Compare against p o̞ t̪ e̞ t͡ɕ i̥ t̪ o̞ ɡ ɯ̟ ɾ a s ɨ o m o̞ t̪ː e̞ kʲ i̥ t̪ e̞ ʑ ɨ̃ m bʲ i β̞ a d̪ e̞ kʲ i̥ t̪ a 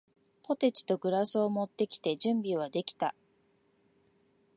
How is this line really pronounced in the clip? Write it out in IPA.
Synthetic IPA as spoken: p o̞ t̪ e̞ t͡ɕ i̥ t̪ o̞ ɡ ɯ̟ ɾ a s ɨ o m o̞ t̪ː e̞ kʲ i̥ t̪ e̞ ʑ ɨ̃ m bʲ i β̞ a d̪ e̞ kʲ i̥ t̪ a